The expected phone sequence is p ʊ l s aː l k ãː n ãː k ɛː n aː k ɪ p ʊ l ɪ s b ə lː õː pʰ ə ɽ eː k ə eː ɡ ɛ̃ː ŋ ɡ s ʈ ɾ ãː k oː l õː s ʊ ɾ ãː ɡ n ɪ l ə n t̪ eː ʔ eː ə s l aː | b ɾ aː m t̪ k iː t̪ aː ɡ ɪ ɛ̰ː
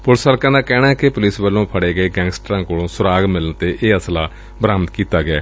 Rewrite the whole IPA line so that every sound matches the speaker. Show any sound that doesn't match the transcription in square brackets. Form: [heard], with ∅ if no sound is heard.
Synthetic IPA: p ʊ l s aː l k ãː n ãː k ɛː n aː k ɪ p ʊ l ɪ s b ə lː õː pʰ ə ɽ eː [ɡ] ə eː ɡ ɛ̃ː ŋ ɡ s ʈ ɾ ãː k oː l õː s ʊ ɾ [aː] ɡ [m] ɪ l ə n t̪ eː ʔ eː ə s l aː | b ɾ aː m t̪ k iː t̪ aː ɡ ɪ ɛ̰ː